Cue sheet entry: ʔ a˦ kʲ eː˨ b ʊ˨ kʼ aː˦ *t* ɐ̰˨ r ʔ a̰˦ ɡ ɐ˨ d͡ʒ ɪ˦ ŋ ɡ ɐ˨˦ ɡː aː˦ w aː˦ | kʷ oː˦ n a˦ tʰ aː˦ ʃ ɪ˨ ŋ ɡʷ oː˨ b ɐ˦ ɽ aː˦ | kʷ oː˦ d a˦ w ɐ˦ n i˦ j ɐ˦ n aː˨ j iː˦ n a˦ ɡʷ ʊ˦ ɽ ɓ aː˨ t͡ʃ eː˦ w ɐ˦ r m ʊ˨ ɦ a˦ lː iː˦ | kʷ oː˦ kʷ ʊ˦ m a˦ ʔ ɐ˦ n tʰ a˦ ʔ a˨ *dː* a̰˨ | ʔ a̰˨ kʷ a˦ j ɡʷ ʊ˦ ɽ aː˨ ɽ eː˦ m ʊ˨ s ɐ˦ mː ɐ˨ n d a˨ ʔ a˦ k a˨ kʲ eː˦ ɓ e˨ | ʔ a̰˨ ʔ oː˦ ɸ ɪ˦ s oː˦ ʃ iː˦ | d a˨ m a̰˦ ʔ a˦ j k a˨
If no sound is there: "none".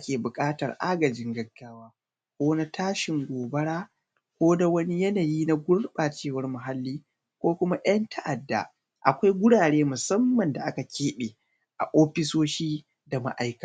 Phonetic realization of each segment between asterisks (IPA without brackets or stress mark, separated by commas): t, dː